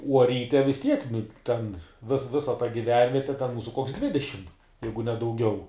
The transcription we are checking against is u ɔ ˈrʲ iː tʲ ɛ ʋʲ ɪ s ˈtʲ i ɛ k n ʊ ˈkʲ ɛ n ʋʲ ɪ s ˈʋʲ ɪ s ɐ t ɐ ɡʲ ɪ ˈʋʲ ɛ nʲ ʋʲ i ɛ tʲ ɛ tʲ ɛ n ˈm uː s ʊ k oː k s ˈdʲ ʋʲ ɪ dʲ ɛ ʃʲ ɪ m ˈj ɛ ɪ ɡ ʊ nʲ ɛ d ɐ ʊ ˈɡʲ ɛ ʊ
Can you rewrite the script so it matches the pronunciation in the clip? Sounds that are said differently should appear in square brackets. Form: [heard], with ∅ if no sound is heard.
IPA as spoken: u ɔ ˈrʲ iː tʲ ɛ ʋʲ ɪ s ˈtʲ i ɛ k n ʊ [ˈtʲ] ɛ n ʋʲ ɪ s ˈʋʲ ɪ s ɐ t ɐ ɡʲ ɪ ˈʋʲ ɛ nʲ ʋʲ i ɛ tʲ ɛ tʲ ɛ n ˈm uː s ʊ k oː k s ˈdʲ ʋʲ ɪ dʲ ɛ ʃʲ ɪ m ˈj ɛ ɪ ɡ ʊ nʲ ɛ d ɐ ʊ ˈɡʲ ɛ ʊ